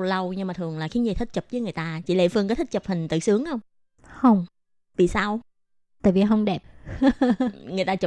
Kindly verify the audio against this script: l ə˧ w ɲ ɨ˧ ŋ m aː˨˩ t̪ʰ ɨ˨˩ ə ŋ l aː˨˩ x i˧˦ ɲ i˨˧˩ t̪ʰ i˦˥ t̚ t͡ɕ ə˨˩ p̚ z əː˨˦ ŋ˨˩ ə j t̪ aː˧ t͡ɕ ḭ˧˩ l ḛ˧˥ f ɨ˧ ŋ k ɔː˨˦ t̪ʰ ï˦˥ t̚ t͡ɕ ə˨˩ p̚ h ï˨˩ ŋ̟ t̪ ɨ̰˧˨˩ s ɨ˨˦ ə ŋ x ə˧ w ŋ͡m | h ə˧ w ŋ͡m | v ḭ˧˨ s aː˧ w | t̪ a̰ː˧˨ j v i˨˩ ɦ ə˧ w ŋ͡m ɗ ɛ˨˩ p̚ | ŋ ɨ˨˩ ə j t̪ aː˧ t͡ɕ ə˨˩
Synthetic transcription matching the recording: l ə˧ w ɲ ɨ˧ ŋ m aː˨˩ t̪ʰ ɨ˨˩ ə ŋ l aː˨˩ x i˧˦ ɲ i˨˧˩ t̪ʰ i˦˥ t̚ t͡ɕ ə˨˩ p̚ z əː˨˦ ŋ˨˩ ə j t̪ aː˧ t͡ɕ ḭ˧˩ l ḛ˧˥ f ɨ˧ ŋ k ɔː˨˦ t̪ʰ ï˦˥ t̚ t͡ɕ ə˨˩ p̚ h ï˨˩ ŋ̟ t̪ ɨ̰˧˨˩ s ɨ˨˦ ə ŋ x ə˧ w ŋ͡m | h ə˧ w ŋ͡m | v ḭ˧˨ s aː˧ w | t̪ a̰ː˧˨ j v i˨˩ ɦ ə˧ w ŋ͡m ɗ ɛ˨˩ p̚ | ŋ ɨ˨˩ ə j t̪ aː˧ t͡ɕ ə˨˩